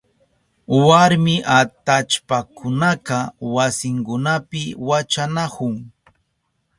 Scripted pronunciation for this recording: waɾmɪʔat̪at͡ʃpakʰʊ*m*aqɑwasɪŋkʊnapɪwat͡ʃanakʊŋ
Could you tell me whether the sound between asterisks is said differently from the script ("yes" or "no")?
yes